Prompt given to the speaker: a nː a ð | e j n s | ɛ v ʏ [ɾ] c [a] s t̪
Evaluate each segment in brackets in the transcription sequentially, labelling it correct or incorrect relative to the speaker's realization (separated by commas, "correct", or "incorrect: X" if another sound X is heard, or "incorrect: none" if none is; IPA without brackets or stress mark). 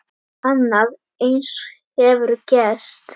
correct, incorrect: ɛ